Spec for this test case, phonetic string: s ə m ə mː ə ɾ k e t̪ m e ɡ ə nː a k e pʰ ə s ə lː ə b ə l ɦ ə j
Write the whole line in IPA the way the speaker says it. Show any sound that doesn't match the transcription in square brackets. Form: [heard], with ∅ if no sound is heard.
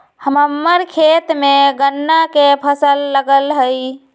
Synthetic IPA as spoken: [h] ə m ə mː ə ɾ [kʰ] e t̪ m e ɡ ə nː a k e pʰ ə s ə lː ə [ɡ] ə l ɦ ə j